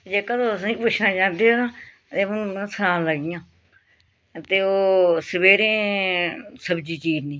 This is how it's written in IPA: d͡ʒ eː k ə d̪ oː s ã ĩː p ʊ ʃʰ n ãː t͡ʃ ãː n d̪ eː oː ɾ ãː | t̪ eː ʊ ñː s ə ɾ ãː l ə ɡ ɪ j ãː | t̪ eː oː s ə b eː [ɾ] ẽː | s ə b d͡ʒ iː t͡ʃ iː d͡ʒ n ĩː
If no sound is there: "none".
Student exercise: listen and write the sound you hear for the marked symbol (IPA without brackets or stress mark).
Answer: ɾ